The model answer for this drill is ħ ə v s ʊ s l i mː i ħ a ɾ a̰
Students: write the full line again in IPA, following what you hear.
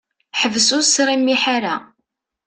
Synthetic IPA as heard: ħ ə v s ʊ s ɾ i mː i ħ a ɾ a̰